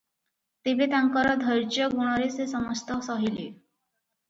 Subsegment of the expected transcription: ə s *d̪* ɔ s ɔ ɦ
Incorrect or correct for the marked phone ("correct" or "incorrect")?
incorrect